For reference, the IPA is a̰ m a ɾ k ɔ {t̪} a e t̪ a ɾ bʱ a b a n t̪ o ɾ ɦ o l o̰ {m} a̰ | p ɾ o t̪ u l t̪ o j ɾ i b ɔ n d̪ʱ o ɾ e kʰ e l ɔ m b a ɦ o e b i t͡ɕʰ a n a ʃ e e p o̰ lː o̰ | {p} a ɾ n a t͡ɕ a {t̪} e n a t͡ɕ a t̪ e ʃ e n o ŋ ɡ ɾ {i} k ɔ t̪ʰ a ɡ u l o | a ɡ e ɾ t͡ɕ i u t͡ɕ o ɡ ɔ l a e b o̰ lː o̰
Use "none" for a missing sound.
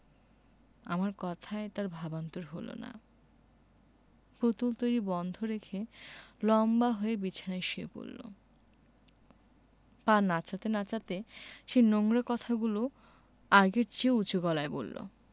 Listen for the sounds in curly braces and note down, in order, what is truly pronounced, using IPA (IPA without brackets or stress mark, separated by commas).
t̪ʰ, n, p, t̪, a